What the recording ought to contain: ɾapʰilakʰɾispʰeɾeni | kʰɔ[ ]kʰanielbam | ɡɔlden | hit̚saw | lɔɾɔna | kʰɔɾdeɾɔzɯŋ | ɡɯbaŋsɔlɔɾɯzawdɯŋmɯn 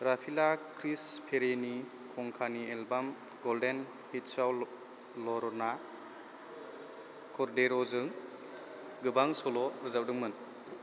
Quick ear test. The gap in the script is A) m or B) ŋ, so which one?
B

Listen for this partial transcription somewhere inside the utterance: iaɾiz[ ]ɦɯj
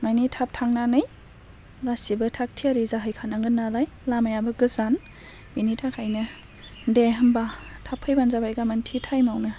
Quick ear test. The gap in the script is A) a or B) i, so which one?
A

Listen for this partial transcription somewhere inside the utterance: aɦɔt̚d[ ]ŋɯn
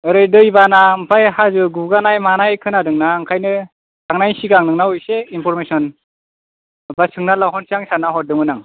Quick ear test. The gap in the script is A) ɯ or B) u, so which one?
A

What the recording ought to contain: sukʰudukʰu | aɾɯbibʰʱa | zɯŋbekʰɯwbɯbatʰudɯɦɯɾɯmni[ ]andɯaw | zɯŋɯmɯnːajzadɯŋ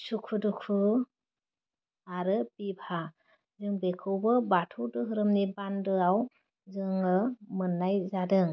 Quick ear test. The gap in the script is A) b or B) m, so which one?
A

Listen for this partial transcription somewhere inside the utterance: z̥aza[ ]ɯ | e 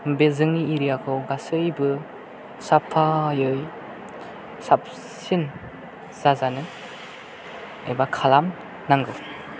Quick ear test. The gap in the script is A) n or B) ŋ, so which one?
A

